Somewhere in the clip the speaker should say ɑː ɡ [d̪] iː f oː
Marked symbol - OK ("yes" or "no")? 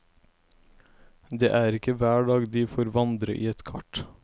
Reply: yes